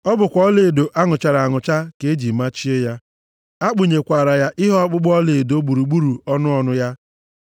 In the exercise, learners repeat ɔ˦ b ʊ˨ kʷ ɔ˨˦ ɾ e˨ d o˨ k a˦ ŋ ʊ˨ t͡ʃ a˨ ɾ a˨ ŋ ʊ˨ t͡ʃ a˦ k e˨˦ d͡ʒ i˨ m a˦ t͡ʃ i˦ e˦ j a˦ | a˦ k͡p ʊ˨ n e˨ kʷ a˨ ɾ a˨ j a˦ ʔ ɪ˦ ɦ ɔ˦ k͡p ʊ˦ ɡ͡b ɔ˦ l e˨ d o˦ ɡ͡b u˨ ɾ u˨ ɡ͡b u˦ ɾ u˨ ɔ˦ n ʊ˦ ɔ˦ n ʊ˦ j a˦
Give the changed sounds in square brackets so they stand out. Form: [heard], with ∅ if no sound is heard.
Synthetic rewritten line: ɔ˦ b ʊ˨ kʷ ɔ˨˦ [l] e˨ d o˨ [ʔ] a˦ ŋ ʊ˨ t͡ʃ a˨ ɾ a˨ ŋ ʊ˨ t͡ʃ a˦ k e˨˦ d͡ʒ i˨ m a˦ t͡ʃ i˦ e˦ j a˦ | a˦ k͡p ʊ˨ [ɲ] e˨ kʷ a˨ ɾ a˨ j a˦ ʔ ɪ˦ ɦ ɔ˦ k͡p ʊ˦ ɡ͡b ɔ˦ l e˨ d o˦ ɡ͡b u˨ ɾ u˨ ɡ͡b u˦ ɾ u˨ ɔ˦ n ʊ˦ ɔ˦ n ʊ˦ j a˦

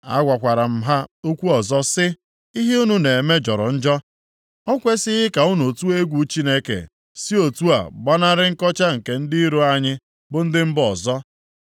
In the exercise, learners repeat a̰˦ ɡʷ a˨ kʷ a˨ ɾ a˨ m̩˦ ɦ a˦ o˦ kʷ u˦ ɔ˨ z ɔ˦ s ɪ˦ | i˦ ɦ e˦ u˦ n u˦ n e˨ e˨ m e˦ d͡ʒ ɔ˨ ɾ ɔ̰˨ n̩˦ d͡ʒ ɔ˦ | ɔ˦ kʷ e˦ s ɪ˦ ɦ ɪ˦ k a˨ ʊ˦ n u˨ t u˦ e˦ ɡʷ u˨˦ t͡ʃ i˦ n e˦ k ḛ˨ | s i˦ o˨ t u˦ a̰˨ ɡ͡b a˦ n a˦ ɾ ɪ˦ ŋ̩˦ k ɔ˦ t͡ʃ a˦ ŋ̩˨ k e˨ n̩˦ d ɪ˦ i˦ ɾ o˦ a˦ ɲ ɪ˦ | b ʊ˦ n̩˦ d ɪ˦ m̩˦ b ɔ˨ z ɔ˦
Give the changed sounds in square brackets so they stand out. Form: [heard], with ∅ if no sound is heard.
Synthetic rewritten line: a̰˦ ɡʷ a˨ kʷ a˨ ɾ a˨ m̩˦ ɦ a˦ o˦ kʷ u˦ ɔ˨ z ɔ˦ s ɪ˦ | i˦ ɦ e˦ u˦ n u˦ n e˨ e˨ m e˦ d͡ʒ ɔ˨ ɾ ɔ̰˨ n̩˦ d͡ʒ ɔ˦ | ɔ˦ kʷ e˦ s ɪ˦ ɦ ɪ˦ k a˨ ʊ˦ n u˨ t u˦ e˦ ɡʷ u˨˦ t͡ʃ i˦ n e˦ k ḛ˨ | s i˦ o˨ t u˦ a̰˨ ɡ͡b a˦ n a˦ ɾ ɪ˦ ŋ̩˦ k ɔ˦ t͡ʃ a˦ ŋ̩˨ k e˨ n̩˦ d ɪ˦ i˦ ɾ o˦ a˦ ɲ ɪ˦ | b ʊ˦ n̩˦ d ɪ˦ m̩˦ b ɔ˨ z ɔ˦

